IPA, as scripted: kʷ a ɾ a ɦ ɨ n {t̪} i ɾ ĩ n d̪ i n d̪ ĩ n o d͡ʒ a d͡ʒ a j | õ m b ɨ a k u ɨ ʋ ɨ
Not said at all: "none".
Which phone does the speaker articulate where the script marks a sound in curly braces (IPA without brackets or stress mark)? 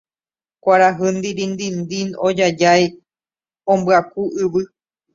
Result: d̪